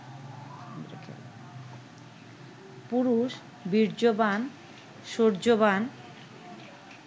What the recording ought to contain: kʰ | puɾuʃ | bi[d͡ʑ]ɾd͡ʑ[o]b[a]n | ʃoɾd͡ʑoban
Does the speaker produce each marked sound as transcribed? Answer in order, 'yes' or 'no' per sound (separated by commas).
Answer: no, yes, yes